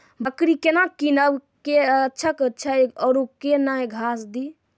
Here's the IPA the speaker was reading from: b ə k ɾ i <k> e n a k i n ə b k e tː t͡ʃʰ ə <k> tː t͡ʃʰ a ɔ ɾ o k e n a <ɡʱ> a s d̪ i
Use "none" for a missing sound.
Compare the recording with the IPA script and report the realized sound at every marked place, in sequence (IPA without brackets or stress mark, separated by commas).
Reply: k, k, ɡʱ